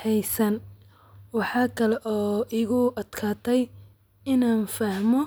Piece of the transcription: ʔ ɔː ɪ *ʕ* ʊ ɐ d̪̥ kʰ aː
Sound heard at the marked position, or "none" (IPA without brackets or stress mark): ɣ